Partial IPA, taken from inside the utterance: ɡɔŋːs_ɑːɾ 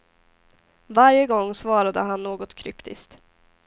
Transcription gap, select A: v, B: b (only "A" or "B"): A